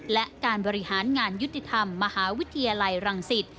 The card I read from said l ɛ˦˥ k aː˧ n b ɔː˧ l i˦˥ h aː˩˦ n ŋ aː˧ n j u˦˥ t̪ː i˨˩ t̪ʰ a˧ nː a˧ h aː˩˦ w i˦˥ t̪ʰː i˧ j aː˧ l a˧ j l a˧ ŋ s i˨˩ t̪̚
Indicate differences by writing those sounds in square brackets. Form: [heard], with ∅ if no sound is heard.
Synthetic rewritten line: l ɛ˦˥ k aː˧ n b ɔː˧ [ɾ] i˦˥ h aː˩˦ n ŋ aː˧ n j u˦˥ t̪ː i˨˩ t̪ʰ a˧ [mː] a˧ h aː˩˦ w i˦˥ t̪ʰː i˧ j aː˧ l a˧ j [ɾ] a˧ ŋ s i˨˩ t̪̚